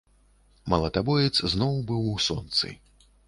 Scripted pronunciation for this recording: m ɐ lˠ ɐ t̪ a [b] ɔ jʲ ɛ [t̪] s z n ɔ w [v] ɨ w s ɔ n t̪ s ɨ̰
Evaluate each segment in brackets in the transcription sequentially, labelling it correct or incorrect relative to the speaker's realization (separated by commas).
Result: correct, correct, incorrect